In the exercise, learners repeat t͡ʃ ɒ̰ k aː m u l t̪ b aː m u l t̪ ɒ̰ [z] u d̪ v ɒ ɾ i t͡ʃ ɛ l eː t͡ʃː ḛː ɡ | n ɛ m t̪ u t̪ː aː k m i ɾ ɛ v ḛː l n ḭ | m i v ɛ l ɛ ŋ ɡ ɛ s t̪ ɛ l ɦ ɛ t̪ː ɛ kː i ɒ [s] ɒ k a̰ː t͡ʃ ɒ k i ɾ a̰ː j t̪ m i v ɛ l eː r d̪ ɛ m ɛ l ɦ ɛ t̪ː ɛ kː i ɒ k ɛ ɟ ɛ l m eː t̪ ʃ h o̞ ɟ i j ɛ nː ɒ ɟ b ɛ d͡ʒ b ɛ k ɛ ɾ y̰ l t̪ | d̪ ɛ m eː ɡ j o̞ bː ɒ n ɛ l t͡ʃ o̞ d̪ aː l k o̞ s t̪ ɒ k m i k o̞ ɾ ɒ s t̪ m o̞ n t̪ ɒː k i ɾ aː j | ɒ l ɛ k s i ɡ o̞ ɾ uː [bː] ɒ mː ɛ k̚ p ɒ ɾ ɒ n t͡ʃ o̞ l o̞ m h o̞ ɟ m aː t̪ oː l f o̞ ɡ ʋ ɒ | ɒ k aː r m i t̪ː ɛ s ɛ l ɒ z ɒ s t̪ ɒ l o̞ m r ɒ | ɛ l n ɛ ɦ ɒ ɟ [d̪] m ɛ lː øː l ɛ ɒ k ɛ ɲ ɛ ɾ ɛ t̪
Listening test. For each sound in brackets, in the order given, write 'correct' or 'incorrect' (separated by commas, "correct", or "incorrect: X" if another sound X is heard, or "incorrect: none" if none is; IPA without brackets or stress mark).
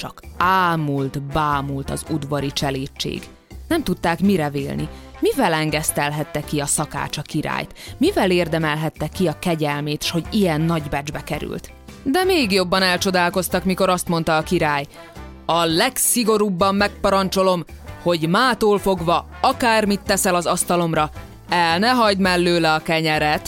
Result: correct, correct, correct, correct